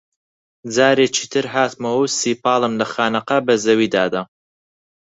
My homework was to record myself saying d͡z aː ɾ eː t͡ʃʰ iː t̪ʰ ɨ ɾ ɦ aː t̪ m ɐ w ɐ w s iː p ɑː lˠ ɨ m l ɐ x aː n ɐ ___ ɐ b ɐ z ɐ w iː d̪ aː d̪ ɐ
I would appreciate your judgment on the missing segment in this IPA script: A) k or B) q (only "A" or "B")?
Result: B